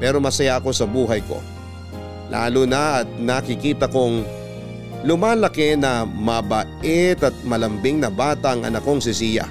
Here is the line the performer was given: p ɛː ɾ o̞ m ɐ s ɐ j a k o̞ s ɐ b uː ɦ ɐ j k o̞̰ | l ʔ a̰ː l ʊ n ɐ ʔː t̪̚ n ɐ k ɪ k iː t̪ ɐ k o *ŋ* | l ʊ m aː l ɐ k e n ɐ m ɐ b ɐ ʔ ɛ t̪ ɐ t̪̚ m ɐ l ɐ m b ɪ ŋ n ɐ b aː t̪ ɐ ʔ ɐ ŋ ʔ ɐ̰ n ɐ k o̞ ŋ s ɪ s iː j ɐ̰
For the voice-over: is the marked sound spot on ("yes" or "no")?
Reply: yes